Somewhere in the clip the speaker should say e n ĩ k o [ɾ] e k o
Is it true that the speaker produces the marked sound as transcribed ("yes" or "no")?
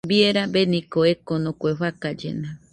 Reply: no